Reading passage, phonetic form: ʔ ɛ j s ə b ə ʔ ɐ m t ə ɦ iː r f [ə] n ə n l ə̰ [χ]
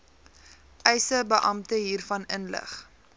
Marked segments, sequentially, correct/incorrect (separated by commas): incorrect, correct